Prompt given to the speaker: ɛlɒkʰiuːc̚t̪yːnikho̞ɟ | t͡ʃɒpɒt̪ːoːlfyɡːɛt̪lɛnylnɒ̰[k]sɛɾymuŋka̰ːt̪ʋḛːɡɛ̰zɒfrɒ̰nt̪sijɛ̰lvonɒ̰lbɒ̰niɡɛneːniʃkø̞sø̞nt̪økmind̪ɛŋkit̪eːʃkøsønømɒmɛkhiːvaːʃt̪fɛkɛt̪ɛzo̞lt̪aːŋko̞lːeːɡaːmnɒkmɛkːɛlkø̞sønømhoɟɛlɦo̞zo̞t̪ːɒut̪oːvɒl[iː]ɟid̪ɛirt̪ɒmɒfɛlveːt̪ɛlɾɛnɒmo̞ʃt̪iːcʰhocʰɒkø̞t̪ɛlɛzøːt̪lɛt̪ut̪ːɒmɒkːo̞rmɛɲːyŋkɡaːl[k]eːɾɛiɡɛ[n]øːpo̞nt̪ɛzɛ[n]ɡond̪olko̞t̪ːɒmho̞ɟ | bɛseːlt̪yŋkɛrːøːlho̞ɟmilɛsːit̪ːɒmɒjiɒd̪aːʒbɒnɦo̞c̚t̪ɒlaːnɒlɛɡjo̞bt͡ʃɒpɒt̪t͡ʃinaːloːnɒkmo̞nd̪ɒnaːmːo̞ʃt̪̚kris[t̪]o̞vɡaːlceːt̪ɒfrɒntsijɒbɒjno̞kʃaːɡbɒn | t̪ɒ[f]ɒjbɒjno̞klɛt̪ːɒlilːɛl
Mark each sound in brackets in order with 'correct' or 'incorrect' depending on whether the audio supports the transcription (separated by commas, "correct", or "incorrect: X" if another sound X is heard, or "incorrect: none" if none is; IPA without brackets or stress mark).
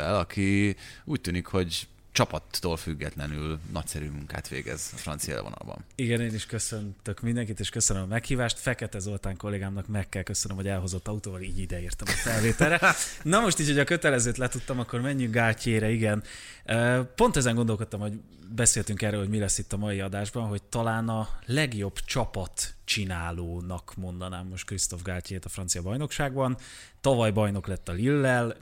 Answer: incorrect: c, correct, incorrect: c, correct, incorrect: ŋ, correct, incorrect: v